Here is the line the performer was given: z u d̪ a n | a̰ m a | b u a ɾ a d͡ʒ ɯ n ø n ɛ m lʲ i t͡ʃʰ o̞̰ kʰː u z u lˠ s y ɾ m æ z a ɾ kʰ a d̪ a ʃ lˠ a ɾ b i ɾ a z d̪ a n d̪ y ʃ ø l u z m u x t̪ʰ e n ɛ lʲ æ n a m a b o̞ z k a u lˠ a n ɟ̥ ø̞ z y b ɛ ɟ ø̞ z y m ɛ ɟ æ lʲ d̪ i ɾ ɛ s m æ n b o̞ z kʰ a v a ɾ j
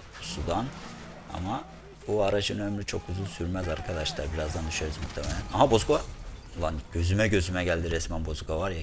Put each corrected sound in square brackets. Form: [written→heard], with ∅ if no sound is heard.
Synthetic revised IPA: [z→s] u d̪ a n | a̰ m a | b u a ɾ a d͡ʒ ɯ n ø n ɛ m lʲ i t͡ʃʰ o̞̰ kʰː u z u lˠ s y ɾ m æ z a ɾ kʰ a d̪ a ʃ lˠ a ɾ b i ɾ a z d̪ a n d̪ y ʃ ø [l→ɾ] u z m u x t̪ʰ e [n→m] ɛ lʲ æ n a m a b o̞ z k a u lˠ a n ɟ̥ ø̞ z y [b→m] ɛ ɟ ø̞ z y m ɛ ɟ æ lʲ d̪ i ɾ ɛ s m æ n b o̞ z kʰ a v a ɾ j

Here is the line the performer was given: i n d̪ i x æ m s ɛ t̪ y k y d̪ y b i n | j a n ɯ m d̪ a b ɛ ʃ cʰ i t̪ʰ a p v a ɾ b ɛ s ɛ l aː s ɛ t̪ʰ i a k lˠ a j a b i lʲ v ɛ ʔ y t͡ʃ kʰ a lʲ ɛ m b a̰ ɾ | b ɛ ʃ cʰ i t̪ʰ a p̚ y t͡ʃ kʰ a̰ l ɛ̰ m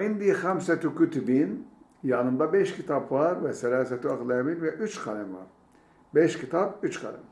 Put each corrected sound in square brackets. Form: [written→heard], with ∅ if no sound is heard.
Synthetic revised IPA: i n d̪ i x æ m s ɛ t̪ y k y [d̪→t̪] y b i n | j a n ɯ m d̪ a b ɛ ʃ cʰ i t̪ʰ a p v a ɾ [b→v] ɛ s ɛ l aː s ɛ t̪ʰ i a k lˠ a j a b i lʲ v ɛ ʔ y t͡ʃ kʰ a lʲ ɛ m [b→v] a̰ ɾ | b ɛ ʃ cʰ i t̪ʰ a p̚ y t͡ʃ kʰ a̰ l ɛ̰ m

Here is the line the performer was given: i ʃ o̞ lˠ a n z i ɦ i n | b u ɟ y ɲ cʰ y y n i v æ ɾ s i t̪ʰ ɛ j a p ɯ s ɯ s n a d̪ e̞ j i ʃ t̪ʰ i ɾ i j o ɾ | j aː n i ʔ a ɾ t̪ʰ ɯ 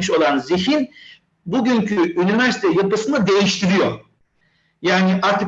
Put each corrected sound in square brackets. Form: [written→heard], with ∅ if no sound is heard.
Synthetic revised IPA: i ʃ o̞ lˠ a n z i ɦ i n | b u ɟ y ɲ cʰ y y n i v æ ɾ s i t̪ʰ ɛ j a p ɯ s ɯ [s→∅] n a d̪ e̞ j i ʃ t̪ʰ i ɾ i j o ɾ | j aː n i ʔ a ɾ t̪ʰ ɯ

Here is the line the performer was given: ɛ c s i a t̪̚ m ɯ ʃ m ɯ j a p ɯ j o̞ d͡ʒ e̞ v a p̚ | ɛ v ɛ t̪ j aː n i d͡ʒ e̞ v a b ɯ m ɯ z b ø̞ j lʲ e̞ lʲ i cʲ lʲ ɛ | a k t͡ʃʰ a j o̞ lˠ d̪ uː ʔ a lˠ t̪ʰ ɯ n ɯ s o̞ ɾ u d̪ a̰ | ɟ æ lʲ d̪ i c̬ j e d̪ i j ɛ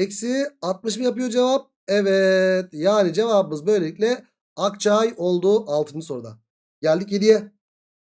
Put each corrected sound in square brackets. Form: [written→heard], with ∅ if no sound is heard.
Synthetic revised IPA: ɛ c s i a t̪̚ m ɯ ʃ m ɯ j a p ɯ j o̞ d͡ʒ e̞ v a p̚ | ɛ v ɛ t̪ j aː n i d͡ʒ e̞ v a b ɯ m ɯ z b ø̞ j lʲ e̞ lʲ i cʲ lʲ ɛ | a k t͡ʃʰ a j o̞ lˠ d̪ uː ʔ a lˠ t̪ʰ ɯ n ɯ s o̞ ɾ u d̪ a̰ | ɟ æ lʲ d̪ i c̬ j e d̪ i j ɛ

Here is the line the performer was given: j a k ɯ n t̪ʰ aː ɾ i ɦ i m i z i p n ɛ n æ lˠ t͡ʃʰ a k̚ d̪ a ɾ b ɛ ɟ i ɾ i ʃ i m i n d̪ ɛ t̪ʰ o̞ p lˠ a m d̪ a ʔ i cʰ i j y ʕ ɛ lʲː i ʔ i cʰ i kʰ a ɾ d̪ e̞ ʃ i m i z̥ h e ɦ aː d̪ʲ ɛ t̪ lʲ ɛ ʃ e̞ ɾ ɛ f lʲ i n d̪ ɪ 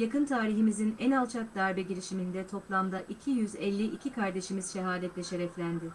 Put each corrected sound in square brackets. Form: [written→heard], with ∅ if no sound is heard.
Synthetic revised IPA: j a k ɯ n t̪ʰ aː ɾ i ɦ i m i z i [p→∅] n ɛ n [æ→a] lˠ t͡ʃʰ a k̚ d̪ a ɾ b ɛ ɟ i ɾ i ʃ i m i n d̪ ɛ t̪ʰ o̞ p lˠ a m d̪ a ʔ i cʰ i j y [ʕ→z] ɛ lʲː i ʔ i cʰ i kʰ a ɾ d̪ e̞ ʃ i m i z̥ [h→ʃ] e ɦ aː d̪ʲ ɛ t̪ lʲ ɛ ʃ e̞ ɾ ɛ f lʲ [i→æ] n d̪ ɪ

